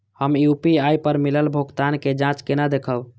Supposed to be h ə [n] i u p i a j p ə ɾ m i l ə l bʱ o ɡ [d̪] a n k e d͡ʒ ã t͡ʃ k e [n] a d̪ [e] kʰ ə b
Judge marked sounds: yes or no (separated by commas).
no, no, yes, yes